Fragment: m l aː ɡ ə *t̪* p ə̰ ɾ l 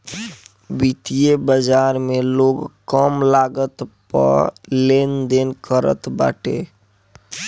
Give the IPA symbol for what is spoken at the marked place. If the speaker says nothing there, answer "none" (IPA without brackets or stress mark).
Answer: t̪